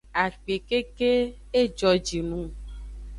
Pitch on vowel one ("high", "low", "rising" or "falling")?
low